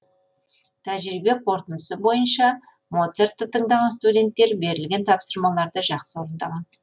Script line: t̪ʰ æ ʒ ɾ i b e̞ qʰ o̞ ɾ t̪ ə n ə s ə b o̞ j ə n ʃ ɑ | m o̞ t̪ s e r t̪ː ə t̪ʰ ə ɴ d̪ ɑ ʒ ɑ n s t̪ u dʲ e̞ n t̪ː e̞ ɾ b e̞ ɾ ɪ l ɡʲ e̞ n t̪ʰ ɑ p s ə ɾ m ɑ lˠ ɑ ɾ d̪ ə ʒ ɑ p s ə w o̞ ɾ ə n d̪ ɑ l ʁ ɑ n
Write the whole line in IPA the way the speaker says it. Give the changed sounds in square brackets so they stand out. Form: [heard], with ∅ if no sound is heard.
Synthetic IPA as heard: t̪ʰ æ ʒ ɾ i b e̞ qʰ o̞ ɾ t̪ ə n ə s ə b o̞ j ə n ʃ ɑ | m o̞ t̪ s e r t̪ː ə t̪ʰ ə ɴ d̪ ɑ [ʁ] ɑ n s t̪ u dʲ e̞ n t̪ː e̞ ɾ b e̞ ɾ ɪ l ɡʲ e̞ n t̪ʰ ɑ p s ə ɾ m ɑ lˠ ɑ ɾ d̪ ə ʒ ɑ [q] s ə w o̞ ɾ ə n d̪ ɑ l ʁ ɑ n